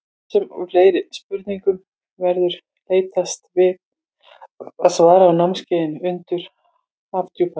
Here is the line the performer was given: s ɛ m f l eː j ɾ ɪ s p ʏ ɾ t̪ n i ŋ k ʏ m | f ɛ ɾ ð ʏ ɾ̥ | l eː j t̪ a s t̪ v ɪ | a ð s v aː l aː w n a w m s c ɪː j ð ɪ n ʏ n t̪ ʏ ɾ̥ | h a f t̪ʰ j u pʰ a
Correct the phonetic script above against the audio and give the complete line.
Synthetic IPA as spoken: s ɛ m f l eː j ɾ ɪ s p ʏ ɾ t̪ n i ŋ k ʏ m | v ɛ ɾ ð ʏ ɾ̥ | l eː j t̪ a s t̪ v ɪ | a ð s v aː ɾ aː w n a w m s c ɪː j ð ɪ n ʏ n t̪ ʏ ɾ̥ | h a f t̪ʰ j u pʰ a